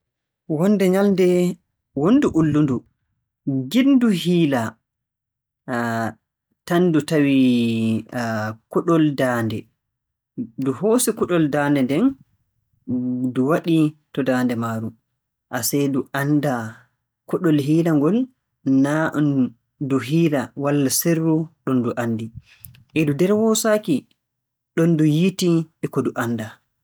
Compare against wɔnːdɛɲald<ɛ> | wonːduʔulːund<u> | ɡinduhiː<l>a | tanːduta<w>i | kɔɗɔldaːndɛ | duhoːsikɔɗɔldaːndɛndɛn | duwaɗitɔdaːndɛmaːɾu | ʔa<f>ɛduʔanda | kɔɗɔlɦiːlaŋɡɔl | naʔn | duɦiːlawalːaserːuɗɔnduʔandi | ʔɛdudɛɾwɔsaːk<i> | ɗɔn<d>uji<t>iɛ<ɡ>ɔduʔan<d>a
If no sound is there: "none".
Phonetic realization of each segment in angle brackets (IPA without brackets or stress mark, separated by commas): ɛ, u, l, w, s, i, d, t, k, d